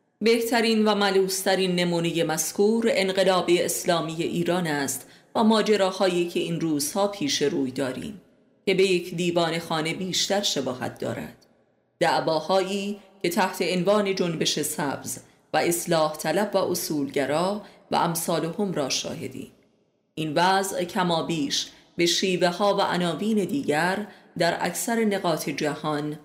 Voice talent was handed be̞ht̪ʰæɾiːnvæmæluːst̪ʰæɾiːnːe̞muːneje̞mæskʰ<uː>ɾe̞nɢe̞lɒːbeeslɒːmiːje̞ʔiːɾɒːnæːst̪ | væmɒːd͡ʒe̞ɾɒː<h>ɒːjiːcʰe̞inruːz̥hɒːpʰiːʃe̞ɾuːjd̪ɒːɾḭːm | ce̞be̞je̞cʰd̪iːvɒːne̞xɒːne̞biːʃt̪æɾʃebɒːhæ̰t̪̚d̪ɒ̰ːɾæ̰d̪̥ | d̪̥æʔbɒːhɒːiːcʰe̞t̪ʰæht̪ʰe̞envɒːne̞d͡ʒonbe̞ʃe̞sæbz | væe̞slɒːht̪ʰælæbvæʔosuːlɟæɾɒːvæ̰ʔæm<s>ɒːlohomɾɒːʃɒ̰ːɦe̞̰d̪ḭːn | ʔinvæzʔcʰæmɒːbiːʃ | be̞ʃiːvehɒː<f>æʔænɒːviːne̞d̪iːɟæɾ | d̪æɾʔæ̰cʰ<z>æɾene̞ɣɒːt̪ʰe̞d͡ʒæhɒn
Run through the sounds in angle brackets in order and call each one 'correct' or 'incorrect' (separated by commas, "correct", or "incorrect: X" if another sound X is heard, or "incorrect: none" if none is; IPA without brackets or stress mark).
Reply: correct, correct, correct, incorrect: v, incorrect: s